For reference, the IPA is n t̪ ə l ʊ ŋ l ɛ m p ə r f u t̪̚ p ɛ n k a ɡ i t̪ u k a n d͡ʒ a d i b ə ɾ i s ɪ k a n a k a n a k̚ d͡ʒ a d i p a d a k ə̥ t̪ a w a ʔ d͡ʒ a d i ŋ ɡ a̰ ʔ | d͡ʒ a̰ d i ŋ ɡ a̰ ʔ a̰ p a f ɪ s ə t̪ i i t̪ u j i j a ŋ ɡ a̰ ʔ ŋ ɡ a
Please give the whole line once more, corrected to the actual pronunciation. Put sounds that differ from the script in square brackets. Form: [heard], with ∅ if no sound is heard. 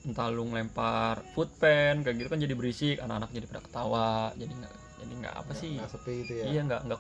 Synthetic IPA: n t̪ [a] l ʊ ŋ l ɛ m p [a] r f u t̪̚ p ɛ n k a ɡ i t̪ u k a n d͡ʒ a d i b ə ɾ i s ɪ k a n a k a n a k̚ d͡ʒ a d i p a d a k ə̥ t̪ a w a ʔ d͡ʒ a d i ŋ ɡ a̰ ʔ | d͡ʒ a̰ d i ŋ ɡ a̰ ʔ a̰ p a [s] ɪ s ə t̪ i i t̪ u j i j a ŋ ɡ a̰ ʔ ŋ ɡ a